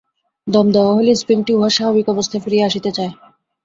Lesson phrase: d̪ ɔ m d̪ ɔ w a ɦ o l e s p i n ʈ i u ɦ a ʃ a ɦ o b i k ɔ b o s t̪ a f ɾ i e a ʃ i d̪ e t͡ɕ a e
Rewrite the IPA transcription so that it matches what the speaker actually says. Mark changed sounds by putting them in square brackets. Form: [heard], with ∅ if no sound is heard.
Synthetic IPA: d̪ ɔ m d̪ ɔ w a ɦ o l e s p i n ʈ i u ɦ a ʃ a ɦ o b i k ɔ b o s [t̪ʰ] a f ɾ i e a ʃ i [t̪] e t͡ɕ a e